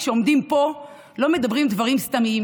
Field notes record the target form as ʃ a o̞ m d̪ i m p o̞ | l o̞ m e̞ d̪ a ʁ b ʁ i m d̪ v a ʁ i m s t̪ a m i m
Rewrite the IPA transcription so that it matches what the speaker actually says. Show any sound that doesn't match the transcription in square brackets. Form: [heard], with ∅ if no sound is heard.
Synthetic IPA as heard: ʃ [e] o̞ m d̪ i m p o̞ | l o̞ m e̞ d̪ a [∅] b ʁ i m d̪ v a ʁ i m s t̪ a m i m